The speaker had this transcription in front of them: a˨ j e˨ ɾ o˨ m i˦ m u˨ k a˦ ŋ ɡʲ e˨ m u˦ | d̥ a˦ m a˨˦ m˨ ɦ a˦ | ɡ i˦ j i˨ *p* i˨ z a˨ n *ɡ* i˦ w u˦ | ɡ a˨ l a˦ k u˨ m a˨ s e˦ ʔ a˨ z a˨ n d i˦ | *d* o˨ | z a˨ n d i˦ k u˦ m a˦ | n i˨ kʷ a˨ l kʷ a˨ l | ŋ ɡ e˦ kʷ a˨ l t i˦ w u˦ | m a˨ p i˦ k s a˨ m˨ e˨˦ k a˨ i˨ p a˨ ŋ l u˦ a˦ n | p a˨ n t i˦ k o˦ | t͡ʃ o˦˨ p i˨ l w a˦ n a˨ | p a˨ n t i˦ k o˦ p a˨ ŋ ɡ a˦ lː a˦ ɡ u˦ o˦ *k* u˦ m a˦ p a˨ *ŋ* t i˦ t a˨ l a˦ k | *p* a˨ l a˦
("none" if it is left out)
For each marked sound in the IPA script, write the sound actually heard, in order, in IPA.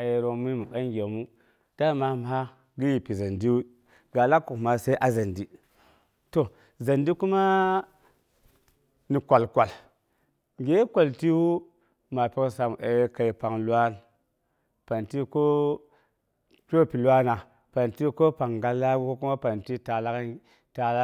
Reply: p, d, t, k, n, t

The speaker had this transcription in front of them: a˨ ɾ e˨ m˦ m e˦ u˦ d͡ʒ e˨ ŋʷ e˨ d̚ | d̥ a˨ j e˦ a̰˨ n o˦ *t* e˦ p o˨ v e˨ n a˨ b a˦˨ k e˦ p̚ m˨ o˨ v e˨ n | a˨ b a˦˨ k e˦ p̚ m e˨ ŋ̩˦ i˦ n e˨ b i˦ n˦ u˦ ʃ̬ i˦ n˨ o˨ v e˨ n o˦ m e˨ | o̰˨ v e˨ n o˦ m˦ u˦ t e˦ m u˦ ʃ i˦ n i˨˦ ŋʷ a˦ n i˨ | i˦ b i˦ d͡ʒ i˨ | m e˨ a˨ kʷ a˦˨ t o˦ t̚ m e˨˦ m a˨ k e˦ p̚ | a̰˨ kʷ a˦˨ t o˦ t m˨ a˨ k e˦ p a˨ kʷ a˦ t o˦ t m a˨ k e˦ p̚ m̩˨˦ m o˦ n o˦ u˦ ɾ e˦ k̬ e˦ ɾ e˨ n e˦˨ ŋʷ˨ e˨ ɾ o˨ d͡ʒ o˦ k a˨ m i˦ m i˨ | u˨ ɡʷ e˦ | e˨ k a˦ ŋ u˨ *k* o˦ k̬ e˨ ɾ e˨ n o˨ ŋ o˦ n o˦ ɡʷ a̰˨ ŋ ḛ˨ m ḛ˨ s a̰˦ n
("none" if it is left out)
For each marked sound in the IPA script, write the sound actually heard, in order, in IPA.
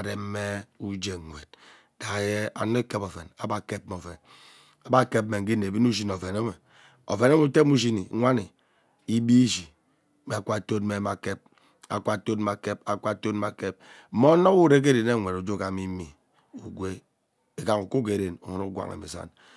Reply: k, k

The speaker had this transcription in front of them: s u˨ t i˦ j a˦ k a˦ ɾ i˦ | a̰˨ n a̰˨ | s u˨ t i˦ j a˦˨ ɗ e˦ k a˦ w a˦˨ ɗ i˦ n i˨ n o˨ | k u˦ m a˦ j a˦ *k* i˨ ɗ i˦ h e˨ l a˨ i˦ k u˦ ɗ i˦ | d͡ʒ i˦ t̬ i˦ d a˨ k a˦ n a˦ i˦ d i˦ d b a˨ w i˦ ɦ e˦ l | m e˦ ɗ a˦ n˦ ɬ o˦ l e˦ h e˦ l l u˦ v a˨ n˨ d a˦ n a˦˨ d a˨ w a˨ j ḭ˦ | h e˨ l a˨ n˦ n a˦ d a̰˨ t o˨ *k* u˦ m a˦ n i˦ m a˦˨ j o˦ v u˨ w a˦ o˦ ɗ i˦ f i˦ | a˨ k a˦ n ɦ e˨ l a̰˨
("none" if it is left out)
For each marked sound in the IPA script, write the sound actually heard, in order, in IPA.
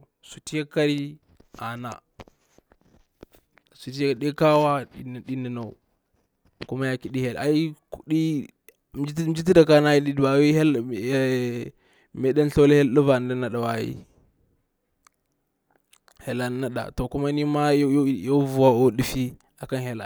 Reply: k, k

